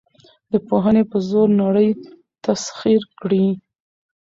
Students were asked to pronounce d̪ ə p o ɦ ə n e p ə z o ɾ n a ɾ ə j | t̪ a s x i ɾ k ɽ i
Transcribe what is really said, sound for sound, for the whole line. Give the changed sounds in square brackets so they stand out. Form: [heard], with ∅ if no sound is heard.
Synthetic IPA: d̪ ə p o ɦ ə n e p ə z o ɾ n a [ɽ] ə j | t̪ a s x i ɾ k ɽ i

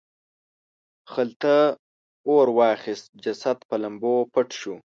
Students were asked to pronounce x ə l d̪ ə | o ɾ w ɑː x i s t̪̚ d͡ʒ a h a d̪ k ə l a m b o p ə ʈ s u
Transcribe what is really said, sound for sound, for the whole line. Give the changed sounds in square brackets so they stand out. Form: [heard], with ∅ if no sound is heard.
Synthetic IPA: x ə l [t̪] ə | o ɾ w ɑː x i s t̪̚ d͡ʒ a [s] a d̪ [p] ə l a m b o p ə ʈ [ʃ] u

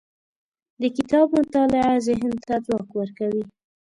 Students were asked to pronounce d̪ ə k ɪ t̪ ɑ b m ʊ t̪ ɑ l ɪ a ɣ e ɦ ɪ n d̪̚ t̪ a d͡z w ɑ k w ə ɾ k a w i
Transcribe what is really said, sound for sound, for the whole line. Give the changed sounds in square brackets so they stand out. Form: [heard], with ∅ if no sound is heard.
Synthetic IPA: d̪ ə k ɪ t̪ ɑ b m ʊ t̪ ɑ l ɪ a [z] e ɦ ɪ n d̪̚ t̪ a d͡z w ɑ k w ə ɾ k a w i

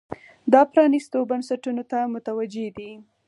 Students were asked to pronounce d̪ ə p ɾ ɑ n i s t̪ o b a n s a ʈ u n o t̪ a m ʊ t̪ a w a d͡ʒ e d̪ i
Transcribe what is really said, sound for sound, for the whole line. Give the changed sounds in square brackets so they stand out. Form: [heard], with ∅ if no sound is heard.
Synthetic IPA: d̪ [ɑ] p ɾ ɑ n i s t̪ o b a n s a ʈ u n o t̪ a m ʊ t̪ a w a d͡ʒ e d̪ i

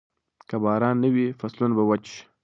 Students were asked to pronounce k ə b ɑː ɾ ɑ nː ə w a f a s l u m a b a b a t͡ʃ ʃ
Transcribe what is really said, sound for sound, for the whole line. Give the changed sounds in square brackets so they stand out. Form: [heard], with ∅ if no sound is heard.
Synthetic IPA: k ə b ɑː ɾ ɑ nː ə w [i] f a s l u [n] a b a [w] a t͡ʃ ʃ

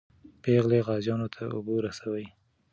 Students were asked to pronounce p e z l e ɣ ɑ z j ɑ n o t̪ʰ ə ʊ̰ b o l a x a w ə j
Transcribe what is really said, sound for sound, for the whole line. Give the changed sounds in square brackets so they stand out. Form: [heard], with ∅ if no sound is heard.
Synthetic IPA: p e [ɣ] l e ɣ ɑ z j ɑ n o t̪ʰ [a] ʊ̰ b o [ɾ] a [s] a w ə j

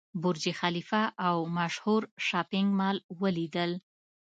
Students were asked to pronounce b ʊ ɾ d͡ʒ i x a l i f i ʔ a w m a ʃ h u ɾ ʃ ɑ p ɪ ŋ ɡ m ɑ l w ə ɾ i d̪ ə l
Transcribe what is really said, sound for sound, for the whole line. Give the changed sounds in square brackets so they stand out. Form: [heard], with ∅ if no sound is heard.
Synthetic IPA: b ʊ ɾ d͡ʒ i x a l i f [a] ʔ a w m a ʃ h u ɾ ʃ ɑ p ɪ ŋ ɡ m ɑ l w ə [l] i d̪ ə l

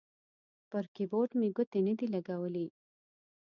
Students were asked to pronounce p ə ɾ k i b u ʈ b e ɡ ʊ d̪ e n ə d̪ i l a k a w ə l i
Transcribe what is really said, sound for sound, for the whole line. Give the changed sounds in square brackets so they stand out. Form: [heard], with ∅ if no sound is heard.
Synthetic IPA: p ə ɾ k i b [o] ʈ [m] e ɡ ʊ [t̪] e n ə d̪ i l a [ɡ] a w ə l i

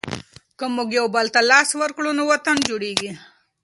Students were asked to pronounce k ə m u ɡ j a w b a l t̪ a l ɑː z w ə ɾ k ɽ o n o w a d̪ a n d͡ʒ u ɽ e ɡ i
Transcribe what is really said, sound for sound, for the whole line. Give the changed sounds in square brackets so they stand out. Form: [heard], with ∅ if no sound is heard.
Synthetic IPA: k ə m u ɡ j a w b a l t̪ a l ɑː [s] w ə ɾ k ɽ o n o w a [t̪] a n d͡ʒ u ɽ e ɡ i

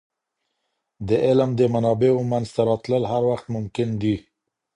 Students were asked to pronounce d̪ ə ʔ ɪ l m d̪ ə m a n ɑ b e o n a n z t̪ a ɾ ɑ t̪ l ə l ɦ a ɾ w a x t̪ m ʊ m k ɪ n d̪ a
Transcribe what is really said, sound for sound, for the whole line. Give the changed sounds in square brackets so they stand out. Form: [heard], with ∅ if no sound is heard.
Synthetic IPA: d̪ ə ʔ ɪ l m d̪ ə m a n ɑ b e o [m] a n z t̪ a ɾ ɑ t̪ l ə l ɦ a ɾ w a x t̪ m ʊ m k ɪ n d̪ [i]

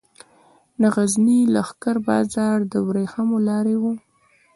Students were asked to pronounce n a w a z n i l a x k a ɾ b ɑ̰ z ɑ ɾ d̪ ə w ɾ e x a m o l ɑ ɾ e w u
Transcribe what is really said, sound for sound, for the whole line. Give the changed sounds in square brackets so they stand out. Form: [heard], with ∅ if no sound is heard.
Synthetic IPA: n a [ɣ] a z n i l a x k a ɾ b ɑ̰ z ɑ ɾ d̪ ə w ɾ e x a m o l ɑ ɾ e w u

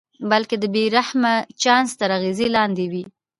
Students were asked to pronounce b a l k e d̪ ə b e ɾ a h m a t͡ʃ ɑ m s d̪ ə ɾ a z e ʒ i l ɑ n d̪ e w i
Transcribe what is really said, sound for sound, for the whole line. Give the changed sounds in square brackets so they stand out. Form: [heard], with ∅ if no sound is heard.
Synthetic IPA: b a l k e d̪ ə b e ɾ a h m a t͡ʃ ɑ [n] s [t̪] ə ɾ a [ɣ] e [z] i l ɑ n d̪ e w i

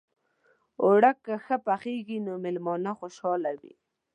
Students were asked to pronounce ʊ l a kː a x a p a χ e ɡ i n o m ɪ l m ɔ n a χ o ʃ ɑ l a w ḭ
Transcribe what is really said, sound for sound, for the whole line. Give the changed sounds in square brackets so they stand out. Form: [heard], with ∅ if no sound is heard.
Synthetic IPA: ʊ [ɽ] a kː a x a p a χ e ɡ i n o m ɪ l m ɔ n a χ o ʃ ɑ l a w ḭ

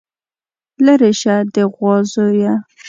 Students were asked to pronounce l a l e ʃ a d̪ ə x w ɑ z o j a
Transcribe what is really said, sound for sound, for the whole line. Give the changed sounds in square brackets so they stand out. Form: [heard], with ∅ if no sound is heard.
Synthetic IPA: l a [ɾ] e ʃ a d̪ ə [ɣ] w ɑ z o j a

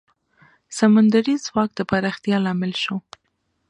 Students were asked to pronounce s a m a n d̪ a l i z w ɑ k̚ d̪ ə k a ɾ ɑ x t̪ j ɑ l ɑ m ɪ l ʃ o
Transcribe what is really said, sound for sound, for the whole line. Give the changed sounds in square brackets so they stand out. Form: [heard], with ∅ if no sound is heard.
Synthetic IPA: s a m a n d̪ a [ɾ] i z w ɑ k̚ d̪ ə [p] a ɾ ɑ x t̪ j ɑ l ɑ m ɪ l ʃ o

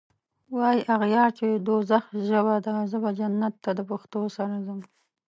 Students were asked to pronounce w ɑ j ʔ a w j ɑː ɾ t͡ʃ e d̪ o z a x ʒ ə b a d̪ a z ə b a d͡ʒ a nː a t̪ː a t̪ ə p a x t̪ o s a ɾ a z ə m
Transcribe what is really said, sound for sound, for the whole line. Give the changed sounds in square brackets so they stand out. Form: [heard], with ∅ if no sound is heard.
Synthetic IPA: w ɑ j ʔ a [ɣ] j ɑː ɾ t͡ʃ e d̪ o z a x ʒ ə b a d̪ a z ə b a d͡ʒ a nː a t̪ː a [d̪] ə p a x t̪ o s a ɾ a z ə m

